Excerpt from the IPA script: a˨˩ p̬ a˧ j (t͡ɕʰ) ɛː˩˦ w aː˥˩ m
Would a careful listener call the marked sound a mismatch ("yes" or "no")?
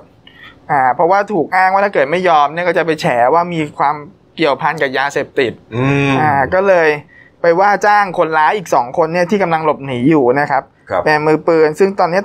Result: no